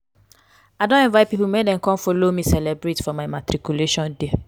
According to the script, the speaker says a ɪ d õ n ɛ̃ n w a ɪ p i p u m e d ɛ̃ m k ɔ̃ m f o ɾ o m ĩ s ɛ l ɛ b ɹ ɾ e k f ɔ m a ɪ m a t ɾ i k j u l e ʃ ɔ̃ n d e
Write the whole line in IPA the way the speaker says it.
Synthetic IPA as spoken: a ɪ d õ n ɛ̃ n v a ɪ p i p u m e d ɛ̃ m k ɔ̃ m f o l o m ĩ s ɛ l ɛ b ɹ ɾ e t f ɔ m a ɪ m a t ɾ i k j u l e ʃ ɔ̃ n d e